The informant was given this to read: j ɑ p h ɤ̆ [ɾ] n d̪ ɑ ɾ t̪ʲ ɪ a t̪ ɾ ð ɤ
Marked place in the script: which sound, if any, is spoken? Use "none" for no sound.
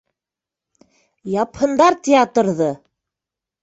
none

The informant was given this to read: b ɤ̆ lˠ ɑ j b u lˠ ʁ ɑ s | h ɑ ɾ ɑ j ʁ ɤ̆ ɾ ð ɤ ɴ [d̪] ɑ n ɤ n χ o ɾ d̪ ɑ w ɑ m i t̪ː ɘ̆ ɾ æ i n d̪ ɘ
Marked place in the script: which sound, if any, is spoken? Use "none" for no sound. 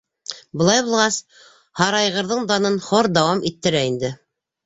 d̪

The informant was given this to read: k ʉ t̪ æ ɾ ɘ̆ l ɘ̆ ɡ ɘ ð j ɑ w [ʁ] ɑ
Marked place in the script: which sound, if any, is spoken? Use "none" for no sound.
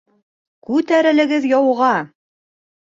ʁ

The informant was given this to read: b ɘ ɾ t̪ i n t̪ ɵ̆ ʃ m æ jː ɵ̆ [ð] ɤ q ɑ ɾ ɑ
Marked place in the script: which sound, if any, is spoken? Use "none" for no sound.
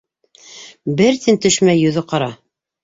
ð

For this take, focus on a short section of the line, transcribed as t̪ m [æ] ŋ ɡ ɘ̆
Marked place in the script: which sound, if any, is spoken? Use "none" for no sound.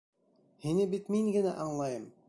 i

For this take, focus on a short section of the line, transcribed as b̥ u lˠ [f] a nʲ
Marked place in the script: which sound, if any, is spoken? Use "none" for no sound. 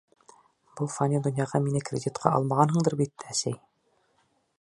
f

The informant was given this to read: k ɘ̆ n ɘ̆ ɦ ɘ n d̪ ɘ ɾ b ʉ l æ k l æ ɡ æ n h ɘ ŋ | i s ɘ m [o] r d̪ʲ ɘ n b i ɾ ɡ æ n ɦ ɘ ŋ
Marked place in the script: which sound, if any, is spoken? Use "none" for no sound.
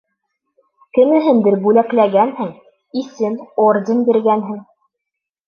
o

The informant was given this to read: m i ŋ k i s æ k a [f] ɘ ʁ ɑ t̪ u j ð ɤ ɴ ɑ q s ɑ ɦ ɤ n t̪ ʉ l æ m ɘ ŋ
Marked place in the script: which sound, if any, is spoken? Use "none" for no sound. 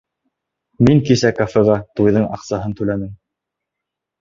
f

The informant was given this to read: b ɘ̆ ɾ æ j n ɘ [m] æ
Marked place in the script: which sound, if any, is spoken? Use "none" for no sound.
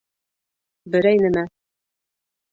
m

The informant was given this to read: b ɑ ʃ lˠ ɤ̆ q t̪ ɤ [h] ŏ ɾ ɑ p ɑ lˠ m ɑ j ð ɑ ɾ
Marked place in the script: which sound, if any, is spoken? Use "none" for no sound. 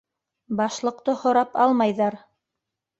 h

